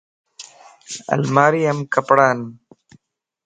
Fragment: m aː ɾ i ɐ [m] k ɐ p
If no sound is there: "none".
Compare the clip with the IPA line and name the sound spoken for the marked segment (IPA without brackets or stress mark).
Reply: m